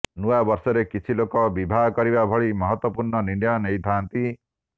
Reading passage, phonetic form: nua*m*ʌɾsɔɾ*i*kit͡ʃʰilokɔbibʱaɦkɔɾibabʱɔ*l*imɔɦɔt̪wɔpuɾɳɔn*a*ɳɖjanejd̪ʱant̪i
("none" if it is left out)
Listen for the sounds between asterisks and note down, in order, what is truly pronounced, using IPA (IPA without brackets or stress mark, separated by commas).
b, e, ɭ, i